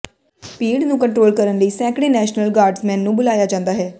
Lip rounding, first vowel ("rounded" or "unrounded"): unrounded